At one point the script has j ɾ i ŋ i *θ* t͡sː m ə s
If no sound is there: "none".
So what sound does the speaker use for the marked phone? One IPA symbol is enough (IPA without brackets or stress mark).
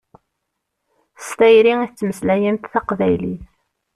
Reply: θ